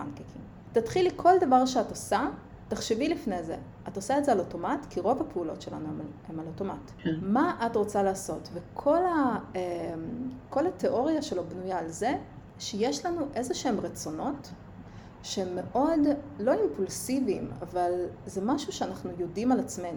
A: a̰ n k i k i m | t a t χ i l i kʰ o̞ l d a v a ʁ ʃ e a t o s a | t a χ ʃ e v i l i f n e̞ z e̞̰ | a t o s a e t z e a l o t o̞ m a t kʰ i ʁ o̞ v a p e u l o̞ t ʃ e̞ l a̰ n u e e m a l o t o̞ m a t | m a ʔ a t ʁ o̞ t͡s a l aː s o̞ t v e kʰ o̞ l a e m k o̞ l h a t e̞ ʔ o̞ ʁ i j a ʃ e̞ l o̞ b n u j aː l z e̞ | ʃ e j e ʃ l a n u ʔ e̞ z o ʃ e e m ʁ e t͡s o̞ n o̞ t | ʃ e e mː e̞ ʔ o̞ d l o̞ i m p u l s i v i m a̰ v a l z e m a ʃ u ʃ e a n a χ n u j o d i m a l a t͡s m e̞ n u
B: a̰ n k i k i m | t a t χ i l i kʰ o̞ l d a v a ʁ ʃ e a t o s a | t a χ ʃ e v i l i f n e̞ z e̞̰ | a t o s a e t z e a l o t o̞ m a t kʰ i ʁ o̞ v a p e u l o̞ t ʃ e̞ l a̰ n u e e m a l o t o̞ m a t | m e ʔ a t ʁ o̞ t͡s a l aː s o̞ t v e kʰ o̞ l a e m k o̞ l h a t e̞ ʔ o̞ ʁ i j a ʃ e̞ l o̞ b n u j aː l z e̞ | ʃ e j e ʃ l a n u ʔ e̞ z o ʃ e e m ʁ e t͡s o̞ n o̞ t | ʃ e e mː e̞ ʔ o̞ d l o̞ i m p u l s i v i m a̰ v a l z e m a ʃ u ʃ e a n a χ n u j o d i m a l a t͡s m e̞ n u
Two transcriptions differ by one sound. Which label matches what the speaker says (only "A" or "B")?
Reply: A